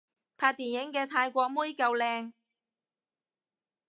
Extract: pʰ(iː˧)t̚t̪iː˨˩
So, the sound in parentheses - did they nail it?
no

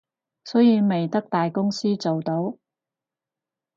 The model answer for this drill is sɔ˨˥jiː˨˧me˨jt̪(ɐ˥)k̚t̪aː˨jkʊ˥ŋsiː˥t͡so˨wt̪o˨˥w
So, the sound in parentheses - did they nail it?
yes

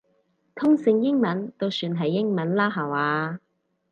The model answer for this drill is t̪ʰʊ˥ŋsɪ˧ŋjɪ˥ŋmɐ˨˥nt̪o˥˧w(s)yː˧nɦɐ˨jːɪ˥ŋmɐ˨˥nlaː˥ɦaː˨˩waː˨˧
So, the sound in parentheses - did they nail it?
yes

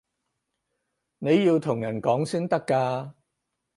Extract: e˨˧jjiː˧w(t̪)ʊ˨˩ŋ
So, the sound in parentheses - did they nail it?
no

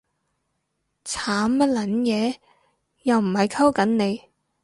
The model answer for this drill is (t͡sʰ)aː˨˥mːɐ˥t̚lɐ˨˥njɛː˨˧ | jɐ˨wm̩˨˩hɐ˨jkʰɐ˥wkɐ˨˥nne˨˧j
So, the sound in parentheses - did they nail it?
yes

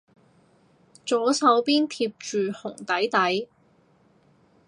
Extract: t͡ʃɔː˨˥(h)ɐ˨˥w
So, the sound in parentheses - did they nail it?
no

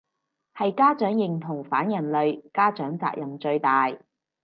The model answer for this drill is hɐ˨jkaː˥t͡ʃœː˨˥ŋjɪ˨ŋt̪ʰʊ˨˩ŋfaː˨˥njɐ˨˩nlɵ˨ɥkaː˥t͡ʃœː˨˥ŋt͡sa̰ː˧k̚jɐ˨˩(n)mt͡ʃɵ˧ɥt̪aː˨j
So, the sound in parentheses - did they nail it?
no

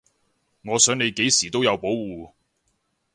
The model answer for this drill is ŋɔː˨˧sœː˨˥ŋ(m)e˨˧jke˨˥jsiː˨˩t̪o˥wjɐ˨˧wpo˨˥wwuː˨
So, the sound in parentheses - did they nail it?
no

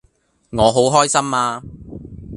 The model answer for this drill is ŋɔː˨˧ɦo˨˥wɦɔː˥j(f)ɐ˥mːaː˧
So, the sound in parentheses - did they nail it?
no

